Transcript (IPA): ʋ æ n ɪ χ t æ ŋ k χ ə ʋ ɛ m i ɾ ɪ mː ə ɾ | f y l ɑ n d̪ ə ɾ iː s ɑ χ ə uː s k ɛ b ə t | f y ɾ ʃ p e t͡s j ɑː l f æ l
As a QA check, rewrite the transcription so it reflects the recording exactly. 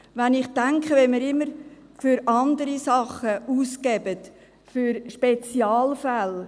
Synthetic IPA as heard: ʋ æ n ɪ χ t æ ŋ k χ ə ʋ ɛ m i ɾ ɪ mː ə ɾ | f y ɾ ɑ n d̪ ə ɾ i s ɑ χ ə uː s k ɛ b ə t | f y ɾ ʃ p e t͡s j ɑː l f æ l